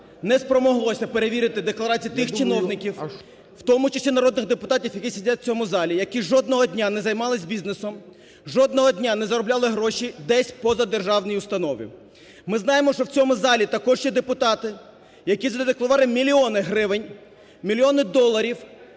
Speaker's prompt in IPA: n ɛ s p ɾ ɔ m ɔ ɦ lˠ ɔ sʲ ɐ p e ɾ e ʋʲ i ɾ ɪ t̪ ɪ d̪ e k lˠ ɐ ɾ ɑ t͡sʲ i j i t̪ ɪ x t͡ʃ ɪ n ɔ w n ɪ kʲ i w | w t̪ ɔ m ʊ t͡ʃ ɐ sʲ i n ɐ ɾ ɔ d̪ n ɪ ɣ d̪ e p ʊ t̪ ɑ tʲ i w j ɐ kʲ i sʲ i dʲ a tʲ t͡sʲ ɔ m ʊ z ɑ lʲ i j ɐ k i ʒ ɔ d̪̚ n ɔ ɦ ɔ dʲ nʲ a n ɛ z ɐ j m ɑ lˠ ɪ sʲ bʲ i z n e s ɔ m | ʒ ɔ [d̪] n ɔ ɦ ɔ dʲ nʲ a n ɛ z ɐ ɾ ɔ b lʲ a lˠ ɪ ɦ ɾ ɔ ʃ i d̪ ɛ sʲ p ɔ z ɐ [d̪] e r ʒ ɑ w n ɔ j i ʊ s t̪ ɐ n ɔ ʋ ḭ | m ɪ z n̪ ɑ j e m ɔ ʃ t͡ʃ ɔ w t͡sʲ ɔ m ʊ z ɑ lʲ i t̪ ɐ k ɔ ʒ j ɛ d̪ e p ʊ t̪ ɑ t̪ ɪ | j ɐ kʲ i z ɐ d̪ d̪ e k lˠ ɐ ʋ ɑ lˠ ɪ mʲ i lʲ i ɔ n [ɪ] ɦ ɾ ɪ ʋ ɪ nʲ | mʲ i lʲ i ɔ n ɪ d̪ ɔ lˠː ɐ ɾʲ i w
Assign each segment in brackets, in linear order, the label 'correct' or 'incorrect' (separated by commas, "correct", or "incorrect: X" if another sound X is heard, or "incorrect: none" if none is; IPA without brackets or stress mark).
correct, correct, correct